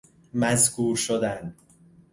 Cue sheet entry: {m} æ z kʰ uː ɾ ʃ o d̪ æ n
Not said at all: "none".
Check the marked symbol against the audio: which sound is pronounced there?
m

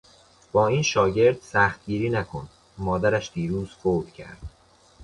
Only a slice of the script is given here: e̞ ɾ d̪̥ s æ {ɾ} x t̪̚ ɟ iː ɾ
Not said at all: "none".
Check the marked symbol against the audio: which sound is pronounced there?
none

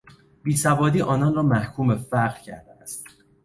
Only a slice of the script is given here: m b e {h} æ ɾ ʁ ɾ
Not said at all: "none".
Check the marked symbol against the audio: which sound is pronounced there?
f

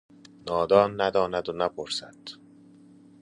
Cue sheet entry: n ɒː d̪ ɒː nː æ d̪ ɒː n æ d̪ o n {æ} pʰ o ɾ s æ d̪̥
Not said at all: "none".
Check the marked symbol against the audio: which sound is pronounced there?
æ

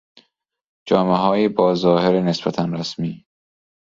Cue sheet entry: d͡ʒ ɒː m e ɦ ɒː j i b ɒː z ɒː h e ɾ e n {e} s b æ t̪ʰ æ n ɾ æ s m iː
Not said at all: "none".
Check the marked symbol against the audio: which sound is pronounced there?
e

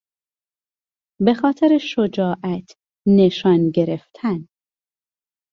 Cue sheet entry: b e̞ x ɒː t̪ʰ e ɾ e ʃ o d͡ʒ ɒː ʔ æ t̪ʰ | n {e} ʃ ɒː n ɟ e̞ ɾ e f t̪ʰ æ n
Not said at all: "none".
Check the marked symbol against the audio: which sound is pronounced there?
e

